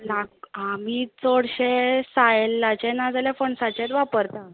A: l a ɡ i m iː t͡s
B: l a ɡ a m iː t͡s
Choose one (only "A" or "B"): B